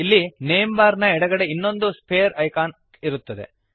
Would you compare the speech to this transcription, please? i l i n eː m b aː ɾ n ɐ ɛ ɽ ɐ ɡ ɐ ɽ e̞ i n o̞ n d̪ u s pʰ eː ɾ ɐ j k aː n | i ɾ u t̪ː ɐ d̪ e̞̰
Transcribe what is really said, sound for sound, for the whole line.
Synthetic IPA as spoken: i lː i n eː m b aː ɾ n ɐ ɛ ɽ ɐ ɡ ɐ ɽ e̞ i nː o̞ n d̪ u s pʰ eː ɾ ɐ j k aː n | i ɾ u t̪ː ɐ d̪ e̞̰